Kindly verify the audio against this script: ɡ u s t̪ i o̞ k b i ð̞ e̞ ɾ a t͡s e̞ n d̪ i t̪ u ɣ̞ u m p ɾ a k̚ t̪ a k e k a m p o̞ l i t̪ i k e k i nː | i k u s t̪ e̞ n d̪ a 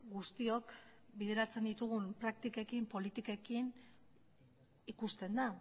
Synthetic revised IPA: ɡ u s t̪ i o̞ k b i ð̞ e̞ ɾ a t͡s e̞ n d̪ i t̪ u ɣ̞ u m p ɾ a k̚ t̪ i k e k i m p o̞ l i t̪ i k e k i n | i k u s t̪ e̞ n d̪ a